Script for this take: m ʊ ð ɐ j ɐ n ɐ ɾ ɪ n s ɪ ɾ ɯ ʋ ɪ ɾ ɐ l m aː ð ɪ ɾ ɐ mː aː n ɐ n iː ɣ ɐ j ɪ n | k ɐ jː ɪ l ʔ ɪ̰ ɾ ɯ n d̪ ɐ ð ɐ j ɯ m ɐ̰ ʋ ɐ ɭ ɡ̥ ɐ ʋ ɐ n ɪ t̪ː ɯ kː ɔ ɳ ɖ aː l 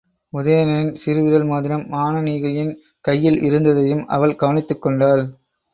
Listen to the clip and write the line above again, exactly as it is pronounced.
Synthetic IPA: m ʊ ð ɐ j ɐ n ɐ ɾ ɪ n s ɪ ɾ ɯ ʋ ɪ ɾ ɐ l m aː ð ɪ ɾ ɐ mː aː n ɐ n iː ɣ ɐ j ɪ n | k ɐ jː ɪ l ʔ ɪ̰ ɾ ɯ n d̪ ɐ ð ɐ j ɯ m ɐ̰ ʋ ɐ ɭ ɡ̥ ɐ ʋ ɐ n ɪ t̪ː ɯ kː ɔ ɳ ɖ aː l

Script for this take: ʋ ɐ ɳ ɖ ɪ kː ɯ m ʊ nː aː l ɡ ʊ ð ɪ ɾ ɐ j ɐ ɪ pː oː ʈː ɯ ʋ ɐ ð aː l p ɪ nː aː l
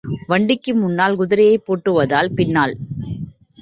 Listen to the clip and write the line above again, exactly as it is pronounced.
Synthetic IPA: ʋ ɐ ɳ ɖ ɪ kː ɯ m ʊ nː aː l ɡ ʊ ð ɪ ɾ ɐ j ɐ ɪ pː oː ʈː ɯ ʋ ɐ ð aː l p ɪ nː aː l

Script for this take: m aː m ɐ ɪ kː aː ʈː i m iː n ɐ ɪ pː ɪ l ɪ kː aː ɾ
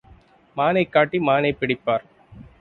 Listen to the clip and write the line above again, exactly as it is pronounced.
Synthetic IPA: m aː n ɐ ɪ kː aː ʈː i m aː n ɐ ɪ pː ɪ ɽ ɪ pː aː ɾ

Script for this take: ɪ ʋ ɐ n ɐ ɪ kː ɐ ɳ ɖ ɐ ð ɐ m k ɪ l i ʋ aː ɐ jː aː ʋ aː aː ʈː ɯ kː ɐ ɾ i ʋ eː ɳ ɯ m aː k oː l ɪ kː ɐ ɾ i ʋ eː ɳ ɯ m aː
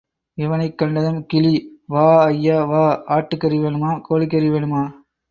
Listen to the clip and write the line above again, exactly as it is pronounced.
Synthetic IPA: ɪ ʋ ɐ n ɐ ɪ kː ɐ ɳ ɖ ɐ ð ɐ m k ɪ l i ʋ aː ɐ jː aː ʋ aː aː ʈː ɯ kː ɐ ɾ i ʋ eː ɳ ɯ m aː k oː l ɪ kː ɐ ɾ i ʋ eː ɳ ɯ m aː

